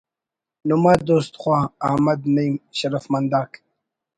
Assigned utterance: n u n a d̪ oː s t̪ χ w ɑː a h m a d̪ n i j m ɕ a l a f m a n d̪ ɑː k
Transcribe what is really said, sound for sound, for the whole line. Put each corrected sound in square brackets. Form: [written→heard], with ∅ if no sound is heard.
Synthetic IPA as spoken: n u [n→m] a d̪ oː s t̪ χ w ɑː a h m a d̪ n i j m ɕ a [l→ɾ] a f m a n d̪ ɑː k